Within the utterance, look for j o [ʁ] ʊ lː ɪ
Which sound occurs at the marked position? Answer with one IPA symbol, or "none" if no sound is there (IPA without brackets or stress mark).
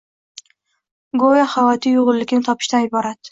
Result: ʁ